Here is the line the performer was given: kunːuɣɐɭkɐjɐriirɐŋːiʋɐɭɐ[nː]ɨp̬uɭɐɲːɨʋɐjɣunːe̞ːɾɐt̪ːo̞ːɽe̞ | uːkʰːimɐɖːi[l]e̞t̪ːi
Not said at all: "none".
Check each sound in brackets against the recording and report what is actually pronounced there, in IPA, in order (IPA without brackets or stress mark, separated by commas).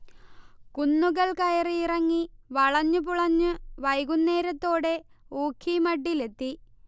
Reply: ɲː, l